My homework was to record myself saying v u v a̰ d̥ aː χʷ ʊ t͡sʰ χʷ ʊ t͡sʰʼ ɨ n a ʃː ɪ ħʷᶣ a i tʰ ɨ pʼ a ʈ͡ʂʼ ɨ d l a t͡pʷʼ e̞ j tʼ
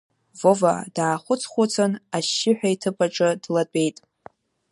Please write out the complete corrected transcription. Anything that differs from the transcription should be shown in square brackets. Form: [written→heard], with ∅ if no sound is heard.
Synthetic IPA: v [u→o] v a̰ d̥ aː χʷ ʊ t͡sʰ χʷ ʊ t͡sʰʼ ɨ n a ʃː ɪ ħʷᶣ a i tʰ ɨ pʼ a ʈ͡ʂʼ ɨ d l a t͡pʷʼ e̞ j tʼ